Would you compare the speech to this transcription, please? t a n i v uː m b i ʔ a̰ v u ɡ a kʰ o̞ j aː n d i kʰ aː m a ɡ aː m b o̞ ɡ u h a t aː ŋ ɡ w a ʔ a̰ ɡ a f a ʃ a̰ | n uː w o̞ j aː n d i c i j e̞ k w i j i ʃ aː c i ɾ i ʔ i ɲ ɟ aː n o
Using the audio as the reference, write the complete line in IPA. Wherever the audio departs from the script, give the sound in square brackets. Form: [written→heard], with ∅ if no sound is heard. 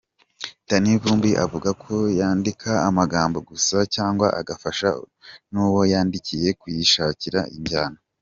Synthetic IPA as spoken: t a n i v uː m b i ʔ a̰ v u ɡ a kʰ o̞ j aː n d i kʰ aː m a ɡ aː m b o̞ ɡ u [h→s] a [t→c] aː ŋ ɡ w a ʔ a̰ ɡ a f a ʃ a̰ | n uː w o̞ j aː n d i c i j e̞ k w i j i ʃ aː c i ɾ [i→a] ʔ i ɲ ɟ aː n o